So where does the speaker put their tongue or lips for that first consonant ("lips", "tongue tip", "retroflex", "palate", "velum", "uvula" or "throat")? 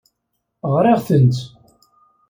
uvula